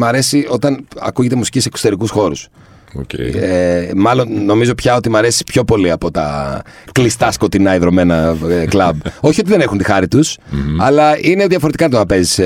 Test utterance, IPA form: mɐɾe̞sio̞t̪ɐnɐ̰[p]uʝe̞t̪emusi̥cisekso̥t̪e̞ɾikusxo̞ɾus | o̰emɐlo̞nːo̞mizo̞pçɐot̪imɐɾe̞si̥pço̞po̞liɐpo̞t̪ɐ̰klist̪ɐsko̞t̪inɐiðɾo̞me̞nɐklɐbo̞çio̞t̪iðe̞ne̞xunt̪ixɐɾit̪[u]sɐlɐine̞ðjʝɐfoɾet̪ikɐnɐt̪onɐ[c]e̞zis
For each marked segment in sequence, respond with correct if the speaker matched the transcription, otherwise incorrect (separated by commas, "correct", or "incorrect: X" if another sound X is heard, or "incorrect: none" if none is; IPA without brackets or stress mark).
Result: incorrect: k, correct, incorrect: p